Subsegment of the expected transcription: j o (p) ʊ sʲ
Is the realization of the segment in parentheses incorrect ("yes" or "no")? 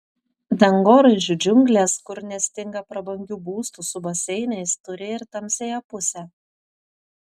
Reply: no